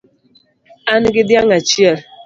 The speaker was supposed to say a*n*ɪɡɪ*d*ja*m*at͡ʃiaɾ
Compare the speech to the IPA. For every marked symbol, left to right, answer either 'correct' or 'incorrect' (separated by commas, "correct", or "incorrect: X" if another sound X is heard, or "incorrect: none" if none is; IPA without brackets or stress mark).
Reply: correct, correct, incorrect: ŋ